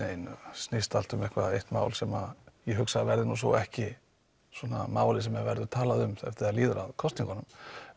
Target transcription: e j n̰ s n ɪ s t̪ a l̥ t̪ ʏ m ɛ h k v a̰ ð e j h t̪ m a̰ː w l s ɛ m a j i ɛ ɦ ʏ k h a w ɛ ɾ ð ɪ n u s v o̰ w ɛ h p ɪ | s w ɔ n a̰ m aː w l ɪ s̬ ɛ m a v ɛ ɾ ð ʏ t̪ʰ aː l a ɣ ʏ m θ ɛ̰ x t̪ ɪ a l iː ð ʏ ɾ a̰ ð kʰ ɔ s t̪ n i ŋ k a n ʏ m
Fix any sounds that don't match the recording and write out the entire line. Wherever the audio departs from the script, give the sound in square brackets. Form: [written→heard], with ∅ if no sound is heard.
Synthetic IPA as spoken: e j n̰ s n ɪ s t̪ a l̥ t̪ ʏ m ɛ h k v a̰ ð e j h t̪ m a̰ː w l s ɛ m a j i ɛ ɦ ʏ k [h→s] a [w→v] ɛ ɾ ð ɪ n u s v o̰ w ɛ h [p→c] ɪ | s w ɔ n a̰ m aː w l ɪ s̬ ɛ m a v ɛ ɾ ð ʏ t̪ʰ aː l a [ɣ→ð] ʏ m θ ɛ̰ [x→f] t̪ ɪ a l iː ð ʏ ɾ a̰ ð kʰ ɔ s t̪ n i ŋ k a n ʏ m